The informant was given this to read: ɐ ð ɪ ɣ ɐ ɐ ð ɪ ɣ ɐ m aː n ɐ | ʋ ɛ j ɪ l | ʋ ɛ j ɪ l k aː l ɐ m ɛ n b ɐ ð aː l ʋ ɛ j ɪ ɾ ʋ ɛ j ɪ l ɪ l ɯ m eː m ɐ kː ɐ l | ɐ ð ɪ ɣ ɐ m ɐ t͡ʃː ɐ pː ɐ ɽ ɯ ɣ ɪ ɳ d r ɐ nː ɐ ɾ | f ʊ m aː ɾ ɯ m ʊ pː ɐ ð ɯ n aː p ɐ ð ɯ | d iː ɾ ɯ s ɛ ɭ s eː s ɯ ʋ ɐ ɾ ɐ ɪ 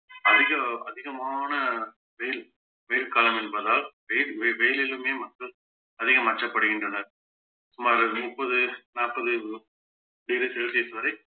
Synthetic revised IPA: ɐ ð ɪ ɣ ɐ ɐ ð ɪ ɣ ɐ m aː n ɐ | ʋ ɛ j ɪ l | ʋ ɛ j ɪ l k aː l ɐ m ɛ n b ɐ ð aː l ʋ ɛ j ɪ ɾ ʋ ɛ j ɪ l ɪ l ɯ m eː m ɐ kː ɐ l | ɐ ð ɪ ɣ ɐ m ɐ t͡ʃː ɐ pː ɐ ɽ ɯ ɣ ɪ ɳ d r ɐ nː ɐ ɾ | s ʊ m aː ɾ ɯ m ʊ pː ɐ ð ɯ n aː p ɐ ð ɯ | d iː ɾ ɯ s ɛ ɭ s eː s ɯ ʋ ɐ ɾ ɐ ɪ